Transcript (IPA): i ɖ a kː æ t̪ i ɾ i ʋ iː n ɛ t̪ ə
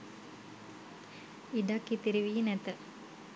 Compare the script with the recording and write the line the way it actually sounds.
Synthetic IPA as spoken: i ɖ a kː i t̪ i ɾ i ʋ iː n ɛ t̪ ə